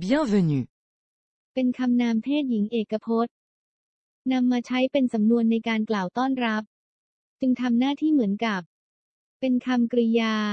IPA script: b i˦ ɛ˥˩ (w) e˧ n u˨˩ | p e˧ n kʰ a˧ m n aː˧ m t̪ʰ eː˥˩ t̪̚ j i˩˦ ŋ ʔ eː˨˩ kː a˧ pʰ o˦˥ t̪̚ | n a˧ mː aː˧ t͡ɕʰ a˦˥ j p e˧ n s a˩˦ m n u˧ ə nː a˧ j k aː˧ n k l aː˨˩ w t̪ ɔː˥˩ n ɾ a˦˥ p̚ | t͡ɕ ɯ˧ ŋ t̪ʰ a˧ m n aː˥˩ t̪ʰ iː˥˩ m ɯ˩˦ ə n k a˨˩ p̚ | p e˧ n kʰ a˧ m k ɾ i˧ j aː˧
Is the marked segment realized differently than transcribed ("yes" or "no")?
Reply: yes